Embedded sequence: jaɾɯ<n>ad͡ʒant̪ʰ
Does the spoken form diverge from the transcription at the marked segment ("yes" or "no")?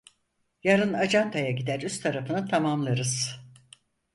no